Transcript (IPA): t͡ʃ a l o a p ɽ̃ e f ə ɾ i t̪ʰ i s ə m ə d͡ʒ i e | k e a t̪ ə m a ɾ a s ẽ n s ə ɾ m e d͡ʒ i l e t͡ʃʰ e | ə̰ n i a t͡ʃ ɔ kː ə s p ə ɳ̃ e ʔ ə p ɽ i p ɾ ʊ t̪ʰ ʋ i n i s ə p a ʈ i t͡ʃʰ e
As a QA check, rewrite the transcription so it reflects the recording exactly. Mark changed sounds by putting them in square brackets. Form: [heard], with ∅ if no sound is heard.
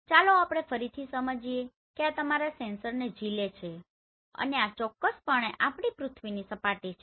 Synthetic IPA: t͡ʃ a l o a p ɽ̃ e f ə ɾ i t̪ʰ i s ə m ə d͡ʒ i e | k e a t̪ ə m a ɾ a s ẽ n s ə ɾ [n] e d͡ʒ i l e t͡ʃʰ e | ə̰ n [e] a t͡ʃ ɔ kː ə s p ə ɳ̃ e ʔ [a] p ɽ i p ɾ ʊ t̪ʰ ʋ i n i s ə p a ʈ i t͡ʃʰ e

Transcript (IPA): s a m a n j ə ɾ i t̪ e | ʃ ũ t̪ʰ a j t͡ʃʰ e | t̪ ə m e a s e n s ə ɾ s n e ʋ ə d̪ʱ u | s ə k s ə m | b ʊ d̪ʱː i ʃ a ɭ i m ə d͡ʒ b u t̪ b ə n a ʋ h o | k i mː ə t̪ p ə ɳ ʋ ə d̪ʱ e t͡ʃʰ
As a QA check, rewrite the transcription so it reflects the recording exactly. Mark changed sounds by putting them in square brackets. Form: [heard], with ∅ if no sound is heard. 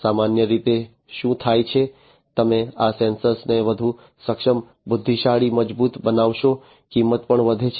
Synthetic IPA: s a m a n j ə ɾ i t̪ e | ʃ ũ t̪ʰ a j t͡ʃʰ e | t̪ ə m e a s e n s ə ɾ s n e ʋ ə d̪ʱ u | s ə k [ʃ] ə m | b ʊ d̪ʱː i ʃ a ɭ i m ə d͡ʒ b u t̪ b ə n a ʋ [ʃ] o | k i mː ə t̪ p ə ɳ ʋ ə d̪ʱ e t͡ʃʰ

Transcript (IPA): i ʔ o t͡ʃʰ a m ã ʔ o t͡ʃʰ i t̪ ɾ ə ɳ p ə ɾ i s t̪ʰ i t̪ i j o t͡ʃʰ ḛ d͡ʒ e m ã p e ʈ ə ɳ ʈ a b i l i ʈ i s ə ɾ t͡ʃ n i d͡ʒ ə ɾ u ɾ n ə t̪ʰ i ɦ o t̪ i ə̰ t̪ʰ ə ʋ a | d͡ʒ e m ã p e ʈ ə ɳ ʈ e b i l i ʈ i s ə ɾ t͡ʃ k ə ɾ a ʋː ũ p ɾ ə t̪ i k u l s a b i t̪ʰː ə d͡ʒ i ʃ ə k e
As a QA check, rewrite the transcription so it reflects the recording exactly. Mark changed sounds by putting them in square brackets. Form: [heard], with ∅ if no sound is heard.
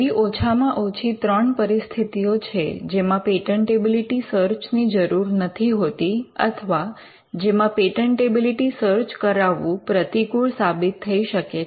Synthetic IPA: i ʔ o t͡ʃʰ a m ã ʔ o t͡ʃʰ i t̪ ɾ ə ɳ p ə ɾ i s t̪ʰ i t̪ i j o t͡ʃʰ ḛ d͡ʒ e m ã p e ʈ ə ɳ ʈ [e] b i l i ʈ i s ə ɾ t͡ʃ n i d͡ʒ ə ɾ u ɾ n ə t̪ʰ i ɦ o t̪ i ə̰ t̪ʰ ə ʋ a | d͡ʒ e m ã p e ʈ ə ɳ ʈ e b i l i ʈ i s ə ɾ t͡ʃ k ə ɾ a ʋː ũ p ɾ ə t̪ i k u [ɭ] s a b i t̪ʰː ə [∅] i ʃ ə k e

